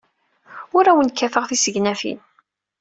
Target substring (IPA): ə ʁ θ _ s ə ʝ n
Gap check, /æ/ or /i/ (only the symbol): i